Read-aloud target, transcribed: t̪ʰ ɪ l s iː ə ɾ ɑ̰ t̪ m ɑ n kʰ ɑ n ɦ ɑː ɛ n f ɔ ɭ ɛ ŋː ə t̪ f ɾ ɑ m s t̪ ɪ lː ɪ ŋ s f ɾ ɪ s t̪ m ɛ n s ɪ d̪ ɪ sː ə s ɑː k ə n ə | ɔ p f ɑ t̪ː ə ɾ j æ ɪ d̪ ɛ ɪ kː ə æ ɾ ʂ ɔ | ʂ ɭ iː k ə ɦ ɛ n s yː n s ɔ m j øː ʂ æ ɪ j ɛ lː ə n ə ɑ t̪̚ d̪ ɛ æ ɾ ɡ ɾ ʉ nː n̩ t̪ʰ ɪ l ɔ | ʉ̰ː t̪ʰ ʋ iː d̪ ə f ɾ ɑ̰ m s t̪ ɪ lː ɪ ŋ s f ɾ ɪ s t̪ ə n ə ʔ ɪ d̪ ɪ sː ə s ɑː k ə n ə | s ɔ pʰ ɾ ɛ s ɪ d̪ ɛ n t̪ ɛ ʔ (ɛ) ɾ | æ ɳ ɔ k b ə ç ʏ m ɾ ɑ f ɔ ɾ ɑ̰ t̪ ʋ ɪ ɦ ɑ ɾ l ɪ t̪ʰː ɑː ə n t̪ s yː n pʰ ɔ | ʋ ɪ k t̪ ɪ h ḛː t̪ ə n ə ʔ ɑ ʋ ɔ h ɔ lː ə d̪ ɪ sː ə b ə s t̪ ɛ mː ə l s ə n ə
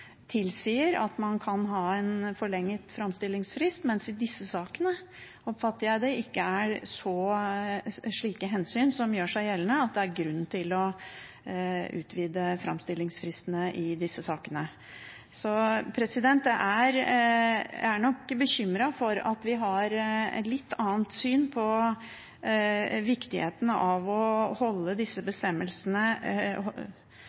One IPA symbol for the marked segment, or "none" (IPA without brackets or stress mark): æ